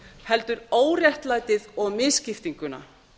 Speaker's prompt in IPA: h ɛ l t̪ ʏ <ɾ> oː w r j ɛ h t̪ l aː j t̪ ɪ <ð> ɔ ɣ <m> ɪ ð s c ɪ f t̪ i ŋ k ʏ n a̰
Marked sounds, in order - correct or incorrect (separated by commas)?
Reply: correct, correct, correct